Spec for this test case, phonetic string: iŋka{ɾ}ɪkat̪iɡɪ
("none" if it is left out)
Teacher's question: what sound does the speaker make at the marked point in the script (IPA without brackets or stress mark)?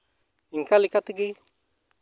l